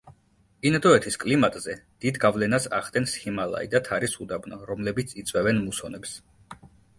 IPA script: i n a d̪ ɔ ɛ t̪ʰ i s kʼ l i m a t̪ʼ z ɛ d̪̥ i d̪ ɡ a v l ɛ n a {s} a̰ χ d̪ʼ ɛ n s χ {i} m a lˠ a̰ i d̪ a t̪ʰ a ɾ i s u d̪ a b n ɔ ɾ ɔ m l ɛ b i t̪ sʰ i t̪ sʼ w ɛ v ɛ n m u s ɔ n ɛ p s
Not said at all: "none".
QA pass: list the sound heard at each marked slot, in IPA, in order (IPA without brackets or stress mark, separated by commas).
s, i